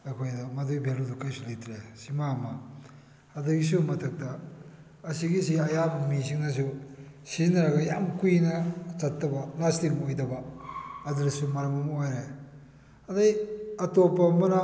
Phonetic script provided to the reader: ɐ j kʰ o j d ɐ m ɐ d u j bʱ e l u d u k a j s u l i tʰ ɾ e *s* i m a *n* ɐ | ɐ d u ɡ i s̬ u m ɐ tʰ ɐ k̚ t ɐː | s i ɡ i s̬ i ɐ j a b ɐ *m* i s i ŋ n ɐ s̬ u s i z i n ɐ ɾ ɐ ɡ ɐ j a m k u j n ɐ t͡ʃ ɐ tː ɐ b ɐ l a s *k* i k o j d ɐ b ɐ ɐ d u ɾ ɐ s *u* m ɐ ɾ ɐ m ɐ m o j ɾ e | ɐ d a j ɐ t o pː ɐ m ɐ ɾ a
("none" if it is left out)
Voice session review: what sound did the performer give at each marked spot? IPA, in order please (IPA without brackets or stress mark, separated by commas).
s, m, m, t, u